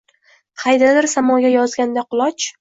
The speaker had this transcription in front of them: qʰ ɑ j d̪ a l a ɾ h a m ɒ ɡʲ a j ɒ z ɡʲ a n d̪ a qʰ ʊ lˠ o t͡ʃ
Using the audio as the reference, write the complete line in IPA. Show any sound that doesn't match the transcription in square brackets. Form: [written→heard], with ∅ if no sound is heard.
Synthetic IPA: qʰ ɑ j d̪ a l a ɾ [h→s] a m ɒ ɡʲ a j ɒ z ɡʲ a n d̪ a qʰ ʊ lˠ [o→ɒ] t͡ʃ